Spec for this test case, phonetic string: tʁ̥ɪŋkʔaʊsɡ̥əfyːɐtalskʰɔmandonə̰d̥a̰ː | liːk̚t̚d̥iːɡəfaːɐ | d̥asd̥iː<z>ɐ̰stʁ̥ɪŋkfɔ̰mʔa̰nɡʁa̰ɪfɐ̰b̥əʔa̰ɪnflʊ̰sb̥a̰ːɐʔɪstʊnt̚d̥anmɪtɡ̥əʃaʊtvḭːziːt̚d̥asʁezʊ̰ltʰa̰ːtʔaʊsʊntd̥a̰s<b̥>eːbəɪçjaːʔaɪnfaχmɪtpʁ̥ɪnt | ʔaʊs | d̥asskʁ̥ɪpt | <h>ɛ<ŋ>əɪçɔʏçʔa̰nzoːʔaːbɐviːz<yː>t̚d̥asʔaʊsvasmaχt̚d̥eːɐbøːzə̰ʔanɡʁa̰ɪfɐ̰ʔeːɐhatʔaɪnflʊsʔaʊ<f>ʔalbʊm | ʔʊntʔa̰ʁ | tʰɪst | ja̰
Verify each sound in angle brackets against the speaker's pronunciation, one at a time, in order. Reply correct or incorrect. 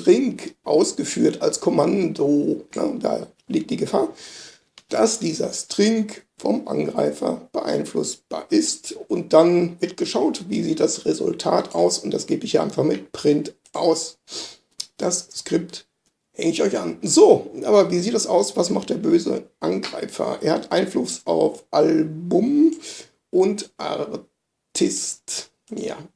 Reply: correct, incorrect, correct, correct, incorrect, correct

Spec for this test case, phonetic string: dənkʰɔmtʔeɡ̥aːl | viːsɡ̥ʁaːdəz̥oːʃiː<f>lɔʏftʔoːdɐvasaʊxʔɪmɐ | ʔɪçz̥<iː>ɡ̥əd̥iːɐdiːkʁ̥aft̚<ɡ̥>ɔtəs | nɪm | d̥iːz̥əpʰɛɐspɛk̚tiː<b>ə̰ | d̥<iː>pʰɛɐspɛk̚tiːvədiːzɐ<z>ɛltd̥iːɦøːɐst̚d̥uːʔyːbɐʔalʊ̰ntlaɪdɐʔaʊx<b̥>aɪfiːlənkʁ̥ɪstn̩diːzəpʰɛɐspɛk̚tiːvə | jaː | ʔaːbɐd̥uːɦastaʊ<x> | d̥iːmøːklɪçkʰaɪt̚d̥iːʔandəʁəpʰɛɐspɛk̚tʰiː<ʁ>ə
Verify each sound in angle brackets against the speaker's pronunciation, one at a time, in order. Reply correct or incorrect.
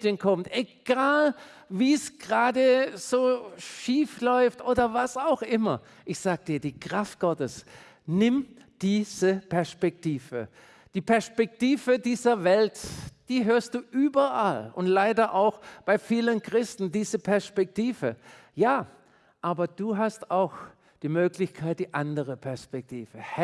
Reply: correct, incorrect, correct, incorrect, correct, incorrect, correct, correct, incorrect

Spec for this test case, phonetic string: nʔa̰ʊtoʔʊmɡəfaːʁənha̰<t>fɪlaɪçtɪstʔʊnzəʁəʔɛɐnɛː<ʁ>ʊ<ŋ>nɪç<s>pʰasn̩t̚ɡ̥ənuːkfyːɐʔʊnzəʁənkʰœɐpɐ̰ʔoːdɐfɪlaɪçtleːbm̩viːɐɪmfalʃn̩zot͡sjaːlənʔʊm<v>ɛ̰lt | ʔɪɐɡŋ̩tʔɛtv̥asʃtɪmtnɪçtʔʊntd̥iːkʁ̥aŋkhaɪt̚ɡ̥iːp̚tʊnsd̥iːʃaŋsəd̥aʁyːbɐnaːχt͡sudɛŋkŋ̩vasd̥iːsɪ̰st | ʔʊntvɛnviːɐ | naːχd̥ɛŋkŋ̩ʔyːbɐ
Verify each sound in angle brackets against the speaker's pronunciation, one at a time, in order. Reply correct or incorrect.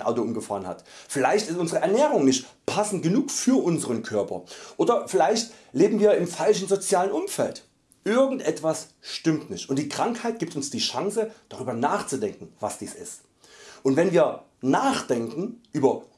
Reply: correct, correct, correct, incorrect, incorrect

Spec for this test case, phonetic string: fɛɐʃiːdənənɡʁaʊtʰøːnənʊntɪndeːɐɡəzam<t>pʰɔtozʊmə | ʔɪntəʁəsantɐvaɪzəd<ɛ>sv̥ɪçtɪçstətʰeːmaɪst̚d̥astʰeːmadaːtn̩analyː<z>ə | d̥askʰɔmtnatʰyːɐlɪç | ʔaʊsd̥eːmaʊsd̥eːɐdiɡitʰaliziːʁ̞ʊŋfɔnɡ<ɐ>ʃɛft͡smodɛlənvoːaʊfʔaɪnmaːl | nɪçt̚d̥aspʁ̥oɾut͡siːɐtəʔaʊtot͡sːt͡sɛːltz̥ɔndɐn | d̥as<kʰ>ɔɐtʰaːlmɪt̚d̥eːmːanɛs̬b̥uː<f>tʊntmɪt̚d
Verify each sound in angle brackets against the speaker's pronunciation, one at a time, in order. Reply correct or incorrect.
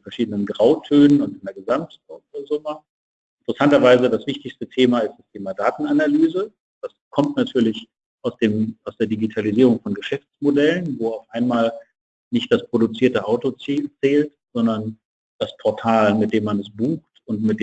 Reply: correct, incorrect, correct, incorrect, incorrect, incorrect

